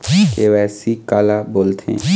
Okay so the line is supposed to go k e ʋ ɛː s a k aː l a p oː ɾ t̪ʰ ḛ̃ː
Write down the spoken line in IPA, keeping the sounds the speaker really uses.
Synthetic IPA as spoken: k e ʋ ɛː s i k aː l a b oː l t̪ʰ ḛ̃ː

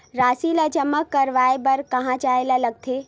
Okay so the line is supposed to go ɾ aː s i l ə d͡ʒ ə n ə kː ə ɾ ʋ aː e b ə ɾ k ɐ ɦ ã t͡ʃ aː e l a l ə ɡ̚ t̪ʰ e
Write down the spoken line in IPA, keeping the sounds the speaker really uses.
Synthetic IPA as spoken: ɾ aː s i l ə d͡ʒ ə m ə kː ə ɾ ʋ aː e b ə ɾ k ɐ ɦ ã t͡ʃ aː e l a l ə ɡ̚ t̪ʰ e

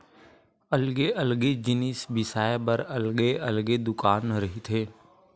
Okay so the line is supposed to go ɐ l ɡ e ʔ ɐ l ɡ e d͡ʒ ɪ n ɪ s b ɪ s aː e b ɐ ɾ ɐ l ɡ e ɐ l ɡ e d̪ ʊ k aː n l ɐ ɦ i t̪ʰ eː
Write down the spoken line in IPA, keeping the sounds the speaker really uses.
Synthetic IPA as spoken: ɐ l ɡ e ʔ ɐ l ɡ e d͡ʒ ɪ n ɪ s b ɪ s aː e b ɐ ɾ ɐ l ɡ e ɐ l ɡ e d̪ ʊ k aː n ɾ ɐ ɦ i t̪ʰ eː

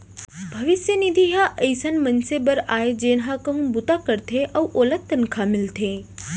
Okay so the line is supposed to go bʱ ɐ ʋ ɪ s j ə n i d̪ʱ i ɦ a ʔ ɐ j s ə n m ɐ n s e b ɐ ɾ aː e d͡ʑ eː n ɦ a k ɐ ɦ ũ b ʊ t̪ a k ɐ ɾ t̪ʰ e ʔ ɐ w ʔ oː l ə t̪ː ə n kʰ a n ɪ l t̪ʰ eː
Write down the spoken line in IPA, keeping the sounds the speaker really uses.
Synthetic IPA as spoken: bʱ ɐ ʋ ɪ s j ə n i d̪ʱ i ɦ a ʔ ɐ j s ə n m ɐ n s e b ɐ ɾ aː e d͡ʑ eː n ɦ a k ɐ ɦ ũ b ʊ t̪ a k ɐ ɾ t̪ʰ e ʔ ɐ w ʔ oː l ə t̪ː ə n kʰ a m ɪ l t̪ʰ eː

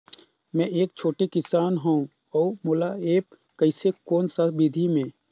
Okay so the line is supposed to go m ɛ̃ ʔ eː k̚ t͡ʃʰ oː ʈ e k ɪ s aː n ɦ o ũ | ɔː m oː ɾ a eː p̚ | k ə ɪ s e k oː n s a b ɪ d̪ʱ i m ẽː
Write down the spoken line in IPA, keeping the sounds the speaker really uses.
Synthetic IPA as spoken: m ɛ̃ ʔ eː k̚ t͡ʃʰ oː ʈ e k ɪ s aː n ɦ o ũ | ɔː m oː l a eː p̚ | k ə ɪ s e k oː n s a b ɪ d̪ʱ i m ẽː

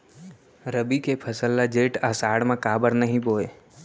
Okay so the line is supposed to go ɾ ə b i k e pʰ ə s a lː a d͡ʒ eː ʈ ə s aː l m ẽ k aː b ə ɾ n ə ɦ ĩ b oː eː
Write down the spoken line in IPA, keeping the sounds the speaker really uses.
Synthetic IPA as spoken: ɾ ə b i k e pʰ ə s ə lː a d͡ʒ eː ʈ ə s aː ɽ m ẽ k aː b ə ɾ n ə ɦ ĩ b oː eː

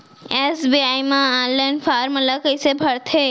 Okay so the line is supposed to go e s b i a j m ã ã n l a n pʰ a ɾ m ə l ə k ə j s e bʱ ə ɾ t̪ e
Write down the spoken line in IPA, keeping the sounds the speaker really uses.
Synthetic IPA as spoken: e s b i a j m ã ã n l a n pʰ a ɾ m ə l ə k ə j s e bʱ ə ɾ t̪ʰ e

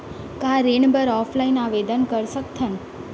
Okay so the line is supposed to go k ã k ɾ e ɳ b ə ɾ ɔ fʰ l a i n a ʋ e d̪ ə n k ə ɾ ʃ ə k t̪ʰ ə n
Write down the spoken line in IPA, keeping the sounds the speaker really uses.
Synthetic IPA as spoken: k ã ɾ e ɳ b ə ɾ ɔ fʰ l a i n a ʋ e d̪ ə n k ə ɾ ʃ ə k t̪ʰ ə n

